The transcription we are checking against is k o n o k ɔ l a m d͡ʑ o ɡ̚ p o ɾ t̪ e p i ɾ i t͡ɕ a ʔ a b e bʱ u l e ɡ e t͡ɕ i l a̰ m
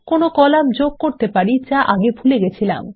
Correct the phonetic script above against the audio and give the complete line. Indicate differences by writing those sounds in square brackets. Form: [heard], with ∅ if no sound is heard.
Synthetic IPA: k o n o k ɔ l a m d͡ʑ o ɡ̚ [k] o ɾ t̪ e p [a] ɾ i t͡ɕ a ʔ a [ɡ] e bʱ u l e ɡ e [t͡ɕʰ] i l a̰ m